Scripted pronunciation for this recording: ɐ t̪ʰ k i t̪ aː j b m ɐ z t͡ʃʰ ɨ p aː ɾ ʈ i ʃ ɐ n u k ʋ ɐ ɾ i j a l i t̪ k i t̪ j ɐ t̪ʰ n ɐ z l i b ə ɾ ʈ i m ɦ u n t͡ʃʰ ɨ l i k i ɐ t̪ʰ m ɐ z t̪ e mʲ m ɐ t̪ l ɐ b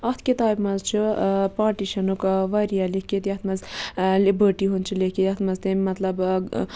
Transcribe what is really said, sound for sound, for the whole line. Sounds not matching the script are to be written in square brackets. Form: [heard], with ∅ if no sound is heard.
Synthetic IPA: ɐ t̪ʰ k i t̪ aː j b m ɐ z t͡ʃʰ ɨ p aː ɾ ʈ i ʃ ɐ n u k ʋ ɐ ɾ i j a l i [∅] k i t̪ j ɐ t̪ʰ [m] ɐ z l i b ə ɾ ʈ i [∅] ɦ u n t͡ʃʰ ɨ l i k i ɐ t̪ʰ m ɐ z t̪ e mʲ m ɐ t̪ l ɐ b